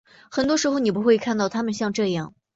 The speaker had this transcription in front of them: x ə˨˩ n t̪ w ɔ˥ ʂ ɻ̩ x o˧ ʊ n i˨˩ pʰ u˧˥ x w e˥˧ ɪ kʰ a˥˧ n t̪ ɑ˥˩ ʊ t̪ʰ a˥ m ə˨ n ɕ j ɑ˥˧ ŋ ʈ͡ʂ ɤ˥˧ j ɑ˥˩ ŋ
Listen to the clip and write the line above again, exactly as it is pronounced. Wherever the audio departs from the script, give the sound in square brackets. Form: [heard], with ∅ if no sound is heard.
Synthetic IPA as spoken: x ə˨˩ n t̪ w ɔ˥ ʂ ɻ̩ x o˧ ʊ n i˨˩ [p] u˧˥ x w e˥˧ ɪ kʰ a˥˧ n t̪ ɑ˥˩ ʊ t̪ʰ a˥ m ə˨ n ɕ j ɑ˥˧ ŋ ʈ͡ʂ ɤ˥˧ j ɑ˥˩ ŋ